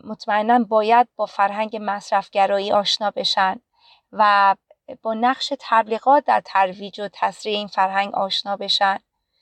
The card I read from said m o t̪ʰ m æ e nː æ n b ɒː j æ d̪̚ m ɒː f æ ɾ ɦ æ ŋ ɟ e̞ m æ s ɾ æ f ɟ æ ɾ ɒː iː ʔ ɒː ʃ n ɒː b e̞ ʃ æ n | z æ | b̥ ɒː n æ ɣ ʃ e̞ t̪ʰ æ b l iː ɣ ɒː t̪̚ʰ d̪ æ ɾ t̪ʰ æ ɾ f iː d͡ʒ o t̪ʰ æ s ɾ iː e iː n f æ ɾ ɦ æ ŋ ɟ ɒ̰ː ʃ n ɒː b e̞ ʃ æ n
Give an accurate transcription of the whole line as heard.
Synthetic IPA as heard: m o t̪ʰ m æ e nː æ n b ɒː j æ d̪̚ b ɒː f æ ɾ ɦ æ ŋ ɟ e̞ m æ s ɾ æ f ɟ æ ɾ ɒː iː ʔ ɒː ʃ n ɒː b e̞ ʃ æ n | v æ | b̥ ɒː n æ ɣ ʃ e̞ t̪ʰ æ b l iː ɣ ɒː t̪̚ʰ d̪ æ ɾ t̪ʰ æ ɾ v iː d͡ʒ o t̪ʰ æ s ɾ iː e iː n f æ ɾ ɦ æ ŋ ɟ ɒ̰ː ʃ n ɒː b e̞ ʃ æ n